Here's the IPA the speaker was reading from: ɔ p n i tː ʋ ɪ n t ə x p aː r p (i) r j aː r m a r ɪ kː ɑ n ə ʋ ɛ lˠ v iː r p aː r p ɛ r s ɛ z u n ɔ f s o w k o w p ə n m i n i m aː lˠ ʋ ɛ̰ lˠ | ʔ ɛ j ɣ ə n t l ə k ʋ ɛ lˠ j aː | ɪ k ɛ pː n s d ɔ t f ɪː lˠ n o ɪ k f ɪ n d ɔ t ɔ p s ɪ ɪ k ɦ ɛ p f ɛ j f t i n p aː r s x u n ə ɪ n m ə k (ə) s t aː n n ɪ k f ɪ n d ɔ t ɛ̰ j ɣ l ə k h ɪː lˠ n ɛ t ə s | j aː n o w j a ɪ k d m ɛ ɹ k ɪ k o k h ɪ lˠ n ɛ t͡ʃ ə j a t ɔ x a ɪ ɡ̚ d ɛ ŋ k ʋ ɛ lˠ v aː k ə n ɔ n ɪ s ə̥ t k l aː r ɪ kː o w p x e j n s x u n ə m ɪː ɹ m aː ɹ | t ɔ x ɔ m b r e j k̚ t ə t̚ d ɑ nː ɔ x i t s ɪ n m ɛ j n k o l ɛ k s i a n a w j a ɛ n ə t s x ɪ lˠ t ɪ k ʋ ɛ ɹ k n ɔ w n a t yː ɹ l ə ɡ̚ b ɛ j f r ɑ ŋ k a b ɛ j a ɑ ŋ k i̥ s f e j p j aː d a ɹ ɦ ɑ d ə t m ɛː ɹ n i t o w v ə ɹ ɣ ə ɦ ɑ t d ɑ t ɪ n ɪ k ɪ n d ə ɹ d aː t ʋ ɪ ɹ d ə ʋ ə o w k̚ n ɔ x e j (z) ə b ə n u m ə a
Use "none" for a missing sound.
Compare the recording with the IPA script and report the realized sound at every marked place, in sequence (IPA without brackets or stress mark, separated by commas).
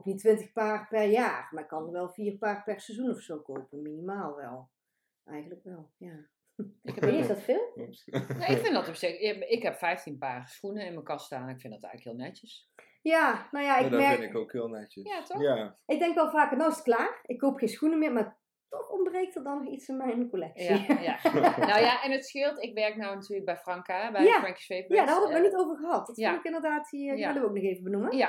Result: ɛ, ɑ, v